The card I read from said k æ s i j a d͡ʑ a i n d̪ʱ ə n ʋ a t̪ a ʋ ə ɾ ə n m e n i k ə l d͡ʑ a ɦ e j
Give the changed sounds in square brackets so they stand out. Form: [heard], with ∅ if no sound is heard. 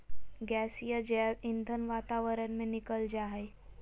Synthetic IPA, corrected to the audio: [ɡ] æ s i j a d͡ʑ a i n d̪ʱ ə n ʋ a t̪ a ʋ ə ɾ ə n m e n i k ə l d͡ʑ a ɦ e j

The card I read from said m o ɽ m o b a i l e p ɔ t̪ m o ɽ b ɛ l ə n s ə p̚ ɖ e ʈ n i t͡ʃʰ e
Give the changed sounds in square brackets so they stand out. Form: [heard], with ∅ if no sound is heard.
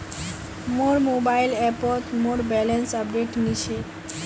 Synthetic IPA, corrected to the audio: m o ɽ m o b a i l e p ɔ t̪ m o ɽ b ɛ l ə n s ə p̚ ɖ e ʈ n i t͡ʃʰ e

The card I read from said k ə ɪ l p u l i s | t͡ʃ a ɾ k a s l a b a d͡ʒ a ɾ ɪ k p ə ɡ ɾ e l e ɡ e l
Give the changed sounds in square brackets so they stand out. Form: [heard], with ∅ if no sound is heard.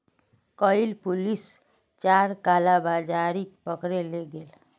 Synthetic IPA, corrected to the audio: k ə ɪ l p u l i s | t͡ʃ a ɾ k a [∅] l a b a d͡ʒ a ɾ [i] k p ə [k] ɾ e l e ɡ e l

